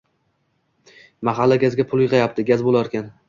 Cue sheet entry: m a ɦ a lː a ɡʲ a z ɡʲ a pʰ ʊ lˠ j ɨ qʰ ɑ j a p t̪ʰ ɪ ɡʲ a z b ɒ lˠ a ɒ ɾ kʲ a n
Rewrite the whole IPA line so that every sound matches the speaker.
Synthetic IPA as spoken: m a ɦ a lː a ɡʲ a z ɡʲ a pʰ ʊ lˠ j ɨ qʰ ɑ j a p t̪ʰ ɪ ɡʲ a z b o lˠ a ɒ ɾ kʲ a n

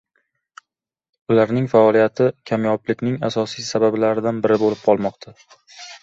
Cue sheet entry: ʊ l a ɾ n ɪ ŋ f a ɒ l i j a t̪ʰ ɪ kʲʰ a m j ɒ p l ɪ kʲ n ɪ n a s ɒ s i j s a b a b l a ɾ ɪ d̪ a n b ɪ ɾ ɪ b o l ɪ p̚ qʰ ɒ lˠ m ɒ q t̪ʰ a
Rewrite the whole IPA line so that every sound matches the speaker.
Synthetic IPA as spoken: ʊ l a ɾ n ɪ ŋ f a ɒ l i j a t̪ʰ ɪ kʲʰ a m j ɒ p l ɪ kʲ n ɪ ŋ a s ɒ s i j s a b a b l a ɾ ɪ d̪ a n b ɪ ɾ ɪ b o l ɪ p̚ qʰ ɒ lˠ m ɒ q t̪ʰ a

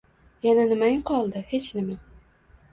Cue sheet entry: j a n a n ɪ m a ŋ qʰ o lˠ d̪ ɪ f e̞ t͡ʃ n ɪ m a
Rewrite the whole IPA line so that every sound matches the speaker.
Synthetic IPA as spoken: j a n a n ɪ m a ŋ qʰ ɒ lˠ d̪ ɪ h e̞ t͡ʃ n ɪ m a

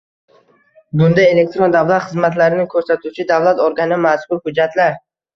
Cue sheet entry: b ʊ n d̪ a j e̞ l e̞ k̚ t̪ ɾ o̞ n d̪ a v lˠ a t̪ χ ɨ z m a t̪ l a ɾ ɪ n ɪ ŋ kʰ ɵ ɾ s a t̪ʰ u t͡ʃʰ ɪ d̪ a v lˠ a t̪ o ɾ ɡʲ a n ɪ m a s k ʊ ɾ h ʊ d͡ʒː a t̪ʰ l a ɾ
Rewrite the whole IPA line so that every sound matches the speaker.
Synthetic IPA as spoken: b ʊ n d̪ a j e̞ l e̞ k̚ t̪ ɾ o̞ n d̪ a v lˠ a t̪ χ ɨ z m a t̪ l a ɾ ɪ n ɪ ŋ kʰ ɵ ɾ s a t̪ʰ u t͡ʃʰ ɪ d̪ a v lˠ a t̪ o ɾ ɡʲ a n ɪ m a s k ʊ ɾ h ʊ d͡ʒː a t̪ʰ l a ɾ

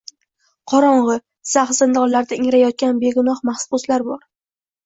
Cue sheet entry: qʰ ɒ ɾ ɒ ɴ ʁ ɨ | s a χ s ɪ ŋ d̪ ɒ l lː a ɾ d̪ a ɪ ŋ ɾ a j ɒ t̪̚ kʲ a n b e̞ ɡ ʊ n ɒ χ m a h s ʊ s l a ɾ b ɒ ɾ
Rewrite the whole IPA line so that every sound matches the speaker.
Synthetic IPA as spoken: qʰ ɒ ɾ ɒ ɴ ʁ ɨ | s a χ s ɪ n d̪ ɒ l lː a ɾ d̪ a ɪ ŋ ɾ a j ɒ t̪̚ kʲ a n b e̞ ɡ ʊ n ɒ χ m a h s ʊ s l a ɾ b ɒ ɾ

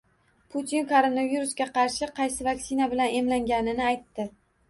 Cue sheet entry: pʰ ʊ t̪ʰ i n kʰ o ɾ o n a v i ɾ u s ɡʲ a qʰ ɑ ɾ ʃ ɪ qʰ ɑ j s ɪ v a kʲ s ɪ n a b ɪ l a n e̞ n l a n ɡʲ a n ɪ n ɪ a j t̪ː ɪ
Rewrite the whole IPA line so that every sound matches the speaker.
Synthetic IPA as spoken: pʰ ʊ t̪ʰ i n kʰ o ɾ o n a v i ɾ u s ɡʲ a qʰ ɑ ɾ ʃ ɪ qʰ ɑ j s ɪ v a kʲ s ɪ n a b ɪ l a n e̞ m l a ŋ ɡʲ a n ɪ n ɪ a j t̪ː ɪ

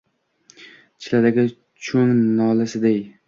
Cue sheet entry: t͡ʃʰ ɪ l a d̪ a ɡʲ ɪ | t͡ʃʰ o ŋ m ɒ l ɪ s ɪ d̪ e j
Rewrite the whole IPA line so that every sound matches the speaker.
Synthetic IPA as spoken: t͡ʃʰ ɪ l a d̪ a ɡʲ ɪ | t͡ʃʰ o ŋ n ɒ l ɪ s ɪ d̪ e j

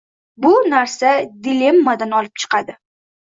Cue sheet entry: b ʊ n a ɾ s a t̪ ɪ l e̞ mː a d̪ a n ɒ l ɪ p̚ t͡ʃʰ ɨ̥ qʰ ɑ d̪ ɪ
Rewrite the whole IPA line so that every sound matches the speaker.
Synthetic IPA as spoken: b ʊ n a ɾ s a d̪ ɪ l e̞ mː a d̪ a n ɒ l ɪ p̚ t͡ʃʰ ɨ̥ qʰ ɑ d̪ ɪ

